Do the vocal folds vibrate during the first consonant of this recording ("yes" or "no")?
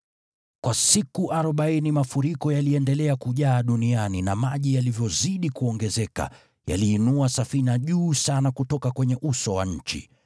no